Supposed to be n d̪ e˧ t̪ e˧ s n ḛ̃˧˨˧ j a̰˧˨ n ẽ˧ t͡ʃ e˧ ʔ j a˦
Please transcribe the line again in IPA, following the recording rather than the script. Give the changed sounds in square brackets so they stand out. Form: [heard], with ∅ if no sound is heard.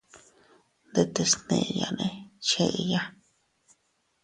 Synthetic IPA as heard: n d̪ e˧ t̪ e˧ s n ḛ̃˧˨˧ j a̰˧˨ n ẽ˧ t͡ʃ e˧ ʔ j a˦